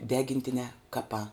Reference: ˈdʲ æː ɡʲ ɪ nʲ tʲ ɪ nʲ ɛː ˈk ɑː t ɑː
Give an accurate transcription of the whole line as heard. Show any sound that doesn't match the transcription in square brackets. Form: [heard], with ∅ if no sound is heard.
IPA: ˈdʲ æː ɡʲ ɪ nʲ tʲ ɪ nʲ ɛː ˈk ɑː [p] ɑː